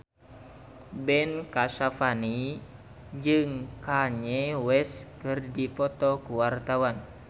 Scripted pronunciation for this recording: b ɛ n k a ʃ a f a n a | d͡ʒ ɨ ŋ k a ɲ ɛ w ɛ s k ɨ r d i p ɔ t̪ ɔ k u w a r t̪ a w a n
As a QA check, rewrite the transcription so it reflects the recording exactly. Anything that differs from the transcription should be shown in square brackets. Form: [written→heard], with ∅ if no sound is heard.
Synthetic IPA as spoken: b ɛ n k a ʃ a f a n [a→i] | d͡ʒ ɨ ŋ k a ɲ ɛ w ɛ s k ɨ r d i p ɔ t̪ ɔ k u w a r t̪ a w a n